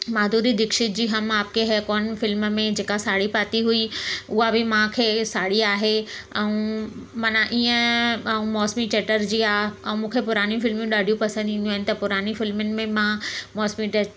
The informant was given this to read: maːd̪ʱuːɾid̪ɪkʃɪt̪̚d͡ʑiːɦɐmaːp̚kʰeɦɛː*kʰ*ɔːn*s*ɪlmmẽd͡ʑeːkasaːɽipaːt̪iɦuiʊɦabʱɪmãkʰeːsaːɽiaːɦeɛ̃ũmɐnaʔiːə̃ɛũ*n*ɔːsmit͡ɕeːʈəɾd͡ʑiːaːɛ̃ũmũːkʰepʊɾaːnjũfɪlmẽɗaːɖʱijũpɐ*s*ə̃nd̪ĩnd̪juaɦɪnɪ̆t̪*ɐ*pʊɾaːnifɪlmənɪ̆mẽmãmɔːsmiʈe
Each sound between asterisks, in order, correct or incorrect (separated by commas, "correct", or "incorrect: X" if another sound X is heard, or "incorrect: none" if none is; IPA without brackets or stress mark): incorrect: k, incorrect: f, incorrect: m, correct, correct